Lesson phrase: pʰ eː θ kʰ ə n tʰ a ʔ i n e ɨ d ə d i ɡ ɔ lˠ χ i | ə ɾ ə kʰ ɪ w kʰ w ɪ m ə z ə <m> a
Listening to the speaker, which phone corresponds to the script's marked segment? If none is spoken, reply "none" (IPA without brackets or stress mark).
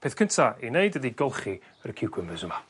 m